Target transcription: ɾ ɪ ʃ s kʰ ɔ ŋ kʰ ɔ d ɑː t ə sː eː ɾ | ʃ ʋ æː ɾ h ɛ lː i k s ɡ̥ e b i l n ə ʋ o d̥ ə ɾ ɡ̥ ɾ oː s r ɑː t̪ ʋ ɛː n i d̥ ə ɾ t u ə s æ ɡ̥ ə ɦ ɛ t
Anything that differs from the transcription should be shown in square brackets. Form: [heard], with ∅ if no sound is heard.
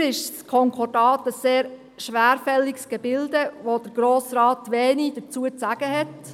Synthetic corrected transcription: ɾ ɪ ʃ s kʰ ɔ ŋ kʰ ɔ d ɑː t ə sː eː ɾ | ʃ ʋ æː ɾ [f] ɛ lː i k s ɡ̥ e b [ɪ] l [d] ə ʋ o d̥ ə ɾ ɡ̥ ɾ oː s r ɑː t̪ ʋ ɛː n i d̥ ə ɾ [t͡s] u ə [t͡s] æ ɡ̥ ə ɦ ɛ t